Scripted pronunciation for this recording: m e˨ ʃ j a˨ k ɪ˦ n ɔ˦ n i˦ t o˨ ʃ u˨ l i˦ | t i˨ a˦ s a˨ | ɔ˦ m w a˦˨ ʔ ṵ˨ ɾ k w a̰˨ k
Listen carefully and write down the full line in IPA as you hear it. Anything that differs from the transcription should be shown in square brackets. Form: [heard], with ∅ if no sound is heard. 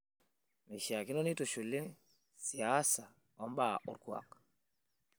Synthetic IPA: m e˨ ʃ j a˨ k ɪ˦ n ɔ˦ n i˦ t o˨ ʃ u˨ l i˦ | [s] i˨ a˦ s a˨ | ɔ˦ m [b] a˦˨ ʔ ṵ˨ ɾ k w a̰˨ k